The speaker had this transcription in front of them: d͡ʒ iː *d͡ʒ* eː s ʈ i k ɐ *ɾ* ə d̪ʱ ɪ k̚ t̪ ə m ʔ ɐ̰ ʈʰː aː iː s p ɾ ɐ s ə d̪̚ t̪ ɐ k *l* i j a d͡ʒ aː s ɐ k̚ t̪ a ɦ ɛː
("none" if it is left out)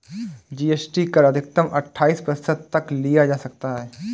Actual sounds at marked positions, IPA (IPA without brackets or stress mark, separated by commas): none, ɾ, l